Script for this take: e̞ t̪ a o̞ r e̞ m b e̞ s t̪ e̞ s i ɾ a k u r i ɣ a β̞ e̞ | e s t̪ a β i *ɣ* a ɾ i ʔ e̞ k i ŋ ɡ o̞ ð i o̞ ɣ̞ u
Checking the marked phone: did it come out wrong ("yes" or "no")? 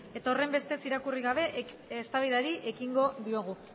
yes